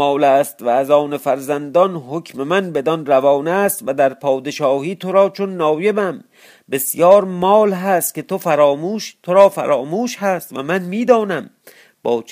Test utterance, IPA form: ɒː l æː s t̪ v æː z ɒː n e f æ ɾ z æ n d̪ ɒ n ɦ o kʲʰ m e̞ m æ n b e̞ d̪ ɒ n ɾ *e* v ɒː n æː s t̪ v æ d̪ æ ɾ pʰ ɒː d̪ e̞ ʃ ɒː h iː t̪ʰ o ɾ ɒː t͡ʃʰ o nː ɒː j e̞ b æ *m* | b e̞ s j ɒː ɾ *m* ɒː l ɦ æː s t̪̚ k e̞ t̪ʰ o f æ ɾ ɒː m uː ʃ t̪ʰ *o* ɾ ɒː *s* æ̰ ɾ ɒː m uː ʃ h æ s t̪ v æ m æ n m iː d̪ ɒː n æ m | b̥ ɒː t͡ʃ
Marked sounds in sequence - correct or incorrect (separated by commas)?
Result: incorrect, correct, correct, correct, incorrect